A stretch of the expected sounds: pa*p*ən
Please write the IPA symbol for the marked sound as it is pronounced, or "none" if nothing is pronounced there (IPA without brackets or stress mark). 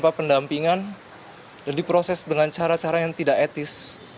p